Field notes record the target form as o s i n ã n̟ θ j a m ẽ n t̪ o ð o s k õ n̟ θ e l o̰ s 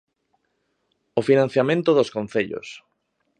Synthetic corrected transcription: o f i n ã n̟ θ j a m ẽ n t̪ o ð o s k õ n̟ θ e ʎ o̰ s